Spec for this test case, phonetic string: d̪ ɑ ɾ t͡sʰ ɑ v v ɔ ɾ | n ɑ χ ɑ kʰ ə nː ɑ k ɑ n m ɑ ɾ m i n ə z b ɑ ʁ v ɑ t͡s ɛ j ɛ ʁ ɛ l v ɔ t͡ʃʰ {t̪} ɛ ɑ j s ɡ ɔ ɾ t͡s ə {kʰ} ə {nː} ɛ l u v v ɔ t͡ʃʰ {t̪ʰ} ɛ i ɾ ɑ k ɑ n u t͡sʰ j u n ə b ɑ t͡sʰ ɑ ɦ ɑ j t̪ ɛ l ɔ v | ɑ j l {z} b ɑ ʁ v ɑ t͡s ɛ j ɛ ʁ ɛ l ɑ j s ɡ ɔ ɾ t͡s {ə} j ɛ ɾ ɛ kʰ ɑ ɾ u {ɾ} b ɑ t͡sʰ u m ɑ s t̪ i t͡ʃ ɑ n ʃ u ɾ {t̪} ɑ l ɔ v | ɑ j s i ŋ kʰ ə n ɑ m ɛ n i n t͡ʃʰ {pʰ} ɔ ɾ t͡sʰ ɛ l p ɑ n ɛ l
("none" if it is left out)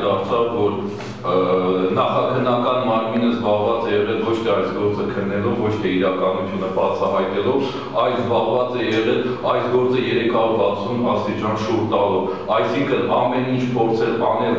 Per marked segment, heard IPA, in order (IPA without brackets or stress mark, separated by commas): t̪ʰ, kʰ, nː, t̪ʰ, z, ə, ɾ, t̪, pʰ